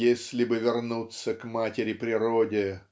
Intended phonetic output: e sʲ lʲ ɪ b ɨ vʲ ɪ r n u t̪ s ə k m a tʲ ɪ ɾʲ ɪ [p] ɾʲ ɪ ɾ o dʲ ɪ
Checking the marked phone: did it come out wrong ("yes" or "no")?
no